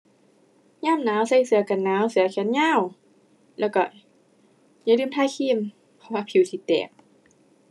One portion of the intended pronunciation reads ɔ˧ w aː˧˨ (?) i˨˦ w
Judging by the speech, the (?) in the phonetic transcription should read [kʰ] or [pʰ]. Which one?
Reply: pʰ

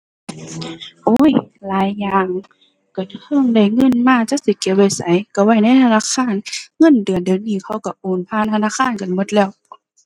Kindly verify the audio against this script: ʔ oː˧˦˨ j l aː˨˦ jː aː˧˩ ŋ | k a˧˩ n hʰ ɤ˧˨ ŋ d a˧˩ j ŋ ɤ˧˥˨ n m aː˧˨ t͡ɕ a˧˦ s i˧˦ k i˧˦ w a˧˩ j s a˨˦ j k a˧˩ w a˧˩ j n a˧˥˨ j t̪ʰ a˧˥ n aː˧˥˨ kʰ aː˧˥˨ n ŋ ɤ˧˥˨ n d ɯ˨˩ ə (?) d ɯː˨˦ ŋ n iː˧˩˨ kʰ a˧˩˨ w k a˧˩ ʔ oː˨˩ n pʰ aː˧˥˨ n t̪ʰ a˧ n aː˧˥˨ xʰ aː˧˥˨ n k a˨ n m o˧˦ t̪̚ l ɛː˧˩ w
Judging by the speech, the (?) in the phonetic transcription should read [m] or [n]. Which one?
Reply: n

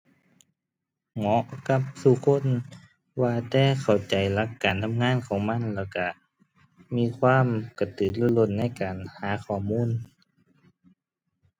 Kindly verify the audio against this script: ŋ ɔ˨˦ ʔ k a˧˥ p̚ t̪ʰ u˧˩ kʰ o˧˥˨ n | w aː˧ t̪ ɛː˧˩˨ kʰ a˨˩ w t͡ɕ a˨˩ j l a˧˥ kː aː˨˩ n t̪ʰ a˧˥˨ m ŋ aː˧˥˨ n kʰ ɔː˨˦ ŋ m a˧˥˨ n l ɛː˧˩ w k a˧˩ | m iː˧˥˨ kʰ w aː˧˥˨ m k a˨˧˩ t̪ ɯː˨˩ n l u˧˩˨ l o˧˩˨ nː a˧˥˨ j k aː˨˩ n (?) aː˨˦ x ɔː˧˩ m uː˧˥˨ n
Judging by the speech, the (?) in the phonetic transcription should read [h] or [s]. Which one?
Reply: h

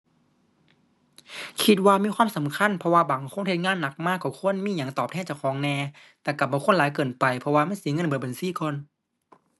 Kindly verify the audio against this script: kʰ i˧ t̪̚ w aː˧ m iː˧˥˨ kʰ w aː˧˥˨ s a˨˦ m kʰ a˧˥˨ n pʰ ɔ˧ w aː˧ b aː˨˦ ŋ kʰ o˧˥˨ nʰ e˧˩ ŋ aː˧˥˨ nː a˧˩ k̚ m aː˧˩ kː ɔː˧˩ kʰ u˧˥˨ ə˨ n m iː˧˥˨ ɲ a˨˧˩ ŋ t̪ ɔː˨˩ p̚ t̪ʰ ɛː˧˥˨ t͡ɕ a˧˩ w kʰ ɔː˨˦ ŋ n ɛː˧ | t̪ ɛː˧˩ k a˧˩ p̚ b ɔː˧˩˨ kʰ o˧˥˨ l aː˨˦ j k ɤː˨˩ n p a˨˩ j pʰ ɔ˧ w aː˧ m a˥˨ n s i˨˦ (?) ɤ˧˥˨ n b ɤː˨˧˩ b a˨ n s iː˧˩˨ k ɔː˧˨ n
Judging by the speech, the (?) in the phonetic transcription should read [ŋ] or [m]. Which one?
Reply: ŋ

